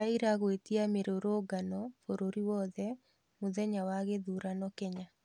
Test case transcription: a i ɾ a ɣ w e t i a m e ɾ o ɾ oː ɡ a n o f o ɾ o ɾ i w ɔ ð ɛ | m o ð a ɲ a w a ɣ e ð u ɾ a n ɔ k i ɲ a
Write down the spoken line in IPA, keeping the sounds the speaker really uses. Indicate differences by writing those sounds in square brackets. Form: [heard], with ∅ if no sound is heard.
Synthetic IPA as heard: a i ɾ a ɣ w e t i a m e ɾ o ɾ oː ɡ a n [ɔ] f o ɾ o ɾ i w ɔ ð ɛ | m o ð [ɛ] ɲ a w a ɣ e ð u ɾ a n ɔ k [ɛ] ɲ a